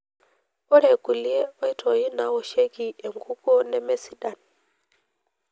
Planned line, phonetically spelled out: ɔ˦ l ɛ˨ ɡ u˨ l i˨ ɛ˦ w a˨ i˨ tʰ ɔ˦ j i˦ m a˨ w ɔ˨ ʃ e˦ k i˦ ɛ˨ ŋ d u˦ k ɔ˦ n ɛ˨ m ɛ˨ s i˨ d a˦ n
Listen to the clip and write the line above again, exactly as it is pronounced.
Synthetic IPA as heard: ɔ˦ ɾ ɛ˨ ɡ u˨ l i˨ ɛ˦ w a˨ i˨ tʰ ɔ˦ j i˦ n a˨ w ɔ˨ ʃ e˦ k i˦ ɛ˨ ŋ ɡ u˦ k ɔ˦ n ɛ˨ m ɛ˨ s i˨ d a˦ n